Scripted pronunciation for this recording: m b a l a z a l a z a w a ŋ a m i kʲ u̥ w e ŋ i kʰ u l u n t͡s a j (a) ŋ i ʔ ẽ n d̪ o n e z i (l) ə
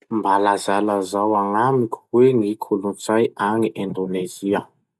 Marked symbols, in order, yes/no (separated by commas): yes, no